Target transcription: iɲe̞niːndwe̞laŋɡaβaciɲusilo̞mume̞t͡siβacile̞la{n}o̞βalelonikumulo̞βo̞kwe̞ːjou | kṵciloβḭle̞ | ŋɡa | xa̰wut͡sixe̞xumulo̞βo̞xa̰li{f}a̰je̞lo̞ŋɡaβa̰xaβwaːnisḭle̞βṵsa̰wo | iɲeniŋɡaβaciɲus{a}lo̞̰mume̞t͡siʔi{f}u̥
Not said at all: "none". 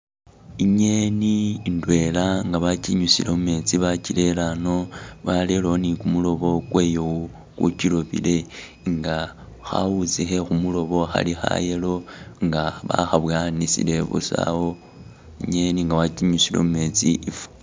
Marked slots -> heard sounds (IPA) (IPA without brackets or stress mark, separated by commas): n, x, i, f